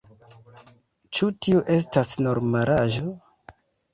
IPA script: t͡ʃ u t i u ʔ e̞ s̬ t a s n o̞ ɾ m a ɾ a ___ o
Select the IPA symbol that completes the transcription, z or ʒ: ʒ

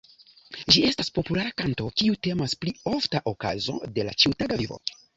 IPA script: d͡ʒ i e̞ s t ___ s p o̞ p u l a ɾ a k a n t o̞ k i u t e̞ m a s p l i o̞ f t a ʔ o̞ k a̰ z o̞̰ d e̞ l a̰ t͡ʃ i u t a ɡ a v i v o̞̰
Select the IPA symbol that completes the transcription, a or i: a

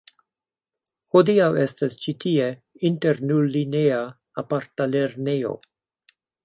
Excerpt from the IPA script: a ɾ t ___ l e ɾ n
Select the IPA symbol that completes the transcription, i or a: a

